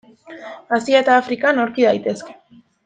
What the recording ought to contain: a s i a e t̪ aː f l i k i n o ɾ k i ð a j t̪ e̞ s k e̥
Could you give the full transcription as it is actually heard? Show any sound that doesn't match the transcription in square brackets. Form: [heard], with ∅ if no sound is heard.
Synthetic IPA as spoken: a s i a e t̪ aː f [ɾ] i k [a] n o ɾ k i ð a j t̪ e̞ s k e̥